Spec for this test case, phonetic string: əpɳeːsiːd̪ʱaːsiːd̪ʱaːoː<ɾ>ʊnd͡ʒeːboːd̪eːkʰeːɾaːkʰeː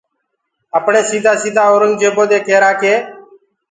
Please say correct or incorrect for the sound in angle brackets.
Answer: correct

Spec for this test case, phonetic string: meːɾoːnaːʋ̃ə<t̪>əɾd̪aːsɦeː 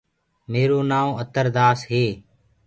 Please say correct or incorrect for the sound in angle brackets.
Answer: correct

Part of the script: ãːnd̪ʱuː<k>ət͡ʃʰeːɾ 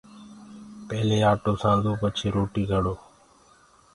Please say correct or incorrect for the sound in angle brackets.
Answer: incorrect: p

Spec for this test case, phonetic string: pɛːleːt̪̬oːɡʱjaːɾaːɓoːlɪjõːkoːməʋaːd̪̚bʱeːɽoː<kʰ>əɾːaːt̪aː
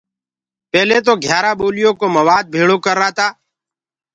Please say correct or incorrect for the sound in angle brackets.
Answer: incorrect: k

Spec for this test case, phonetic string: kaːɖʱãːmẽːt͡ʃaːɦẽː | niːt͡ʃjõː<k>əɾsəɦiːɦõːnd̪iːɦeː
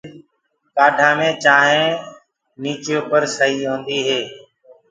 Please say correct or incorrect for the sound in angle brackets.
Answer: incorrect: p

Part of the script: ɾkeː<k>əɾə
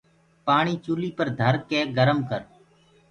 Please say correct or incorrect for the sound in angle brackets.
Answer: incorrect: ɡ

